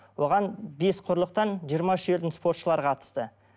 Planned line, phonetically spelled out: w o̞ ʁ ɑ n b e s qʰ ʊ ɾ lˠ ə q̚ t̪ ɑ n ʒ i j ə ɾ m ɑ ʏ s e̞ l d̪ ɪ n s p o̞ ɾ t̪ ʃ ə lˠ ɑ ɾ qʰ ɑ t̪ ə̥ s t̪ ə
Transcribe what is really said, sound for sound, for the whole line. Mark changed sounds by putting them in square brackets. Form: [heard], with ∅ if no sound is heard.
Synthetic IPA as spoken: w o̞ ʁ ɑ n b e s qʰ ʊ ɾ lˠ ə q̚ t̪ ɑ n ʒ i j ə ɾ m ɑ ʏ [ʃ] e̞ l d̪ ɪ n s p o̞ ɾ t̪ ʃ ə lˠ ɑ ɾ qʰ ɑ t̪ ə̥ s t̪ ə